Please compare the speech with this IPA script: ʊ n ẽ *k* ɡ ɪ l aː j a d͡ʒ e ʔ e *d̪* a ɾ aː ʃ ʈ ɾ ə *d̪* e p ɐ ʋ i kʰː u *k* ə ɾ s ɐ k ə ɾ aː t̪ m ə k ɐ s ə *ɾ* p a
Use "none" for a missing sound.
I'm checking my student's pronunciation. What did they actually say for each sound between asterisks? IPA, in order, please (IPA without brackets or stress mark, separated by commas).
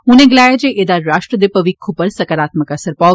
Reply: none, d̪, d̪, p, ɾ